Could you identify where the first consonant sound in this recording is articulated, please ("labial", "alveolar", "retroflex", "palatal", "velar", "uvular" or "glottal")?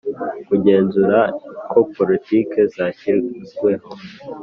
velar